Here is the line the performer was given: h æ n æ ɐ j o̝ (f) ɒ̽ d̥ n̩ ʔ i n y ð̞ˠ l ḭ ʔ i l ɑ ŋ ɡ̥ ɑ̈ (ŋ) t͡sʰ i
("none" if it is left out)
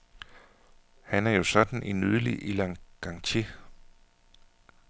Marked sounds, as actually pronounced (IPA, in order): s, ŋ

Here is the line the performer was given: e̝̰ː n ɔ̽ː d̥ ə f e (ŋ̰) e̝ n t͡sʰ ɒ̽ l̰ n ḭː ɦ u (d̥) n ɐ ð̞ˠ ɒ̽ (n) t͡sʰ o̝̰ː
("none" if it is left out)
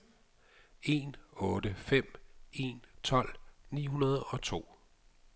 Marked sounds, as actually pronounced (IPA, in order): m̰, none, none

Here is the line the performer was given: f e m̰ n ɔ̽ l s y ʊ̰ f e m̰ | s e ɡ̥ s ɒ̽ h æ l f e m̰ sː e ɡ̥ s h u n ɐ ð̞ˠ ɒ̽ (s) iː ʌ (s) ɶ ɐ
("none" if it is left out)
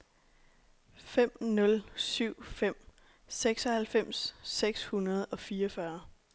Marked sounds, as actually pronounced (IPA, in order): f, f

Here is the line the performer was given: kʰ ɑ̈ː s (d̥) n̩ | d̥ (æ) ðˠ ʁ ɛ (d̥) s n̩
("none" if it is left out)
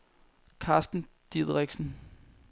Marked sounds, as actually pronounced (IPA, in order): d̥, i, ɡ̥

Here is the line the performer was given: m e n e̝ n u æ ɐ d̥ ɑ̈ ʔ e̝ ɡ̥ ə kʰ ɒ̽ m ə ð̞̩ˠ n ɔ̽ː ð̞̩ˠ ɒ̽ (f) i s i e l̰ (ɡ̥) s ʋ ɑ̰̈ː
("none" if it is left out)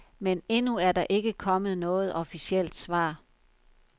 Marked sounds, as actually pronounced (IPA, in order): f, d̥

